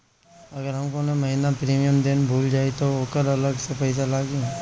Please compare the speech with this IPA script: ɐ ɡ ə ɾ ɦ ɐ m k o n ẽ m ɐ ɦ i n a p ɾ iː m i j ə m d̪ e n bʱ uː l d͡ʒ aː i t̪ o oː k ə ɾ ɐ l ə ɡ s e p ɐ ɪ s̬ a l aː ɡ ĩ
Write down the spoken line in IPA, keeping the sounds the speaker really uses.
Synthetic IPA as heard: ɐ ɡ ə ɾ ɦ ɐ m k o n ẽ m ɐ ɦ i n a p ɾ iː m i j ə m d̪ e n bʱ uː l d͡ʒ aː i t̪ o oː k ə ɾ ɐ l ə ɡ s e p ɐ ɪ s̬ a l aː ɡ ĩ